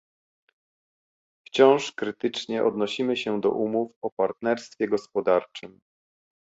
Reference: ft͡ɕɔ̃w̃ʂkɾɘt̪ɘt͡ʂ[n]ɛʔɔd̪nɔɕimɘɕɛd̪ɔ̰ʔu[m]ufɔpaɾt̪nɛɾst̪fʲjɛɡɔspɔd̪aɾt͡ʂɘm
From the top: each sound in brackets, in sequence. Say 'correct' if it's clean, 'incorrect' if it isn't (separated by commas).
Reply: incorrect, correct